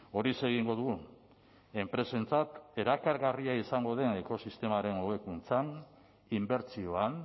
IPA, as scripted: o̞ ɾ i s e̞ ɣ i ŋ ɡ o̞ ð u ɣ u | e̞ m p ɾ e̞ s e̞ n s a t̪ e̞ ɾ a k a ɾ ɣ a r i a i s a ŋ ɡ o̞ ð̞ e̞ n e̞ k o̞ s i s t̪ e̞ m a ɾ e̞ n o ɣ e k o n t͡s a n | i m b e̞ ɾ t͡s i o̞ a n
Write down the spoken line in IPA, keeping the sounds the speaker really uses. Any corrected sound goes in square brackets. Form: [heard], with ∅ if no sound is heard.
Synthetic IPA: o̞ ɾ i s e̞ ɣ i ŋ ɡ o̞ ð u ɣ u | e̞ m p ɾ e̞ s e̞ n [t͡s] a t̪ e̞ ɾ a k a ɾ ɣ a r i a i s a ŋ ɡ o̞ ð̞ e̞ n e̞ k o̞ s i s t̪ e̞ m a ɾ e̞ n o ɣ e k [u] n t͡s a n | i m b e̞ ɾ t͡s i o̞ a n